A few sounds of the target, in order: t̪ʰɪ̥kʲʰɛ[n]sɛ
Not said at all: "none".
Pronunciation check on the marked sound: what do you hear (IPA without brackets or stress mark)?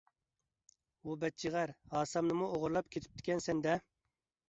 n